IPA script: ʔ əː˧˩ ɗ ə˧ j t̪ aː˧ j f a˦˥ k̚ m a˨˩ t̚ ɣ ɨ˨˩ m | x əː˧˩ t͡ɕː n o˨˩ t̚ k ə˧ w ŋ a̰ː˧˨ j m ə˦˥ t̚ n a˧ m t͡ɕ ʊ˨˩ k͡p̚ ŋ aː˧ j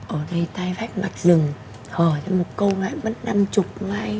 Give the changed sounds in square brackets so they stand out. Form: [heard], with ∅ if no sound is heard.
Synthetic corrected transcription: ʔ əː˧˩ ɗ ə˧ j t̪ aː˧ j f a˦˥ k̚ m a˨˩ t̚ [z] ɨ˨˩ [ŋ] | [h] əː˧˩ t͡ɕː [m] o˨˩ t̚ k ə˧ w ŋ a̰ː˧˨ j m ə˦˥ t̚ n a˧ m t͡ɕ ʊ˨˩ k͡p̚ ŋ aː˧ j